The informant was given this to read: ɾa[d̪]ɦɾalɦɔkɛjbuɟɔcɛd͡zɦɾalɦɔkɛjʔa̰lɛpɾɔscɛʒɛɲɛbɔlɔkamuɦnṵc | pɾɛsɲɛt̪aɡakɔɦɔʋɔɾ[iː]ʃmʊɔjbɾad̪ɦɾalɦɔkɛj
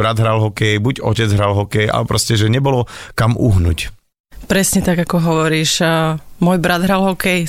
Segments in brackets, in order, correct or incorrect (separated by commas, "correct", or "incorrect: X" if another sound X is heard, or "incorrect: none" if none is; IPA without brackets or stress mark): correct, correct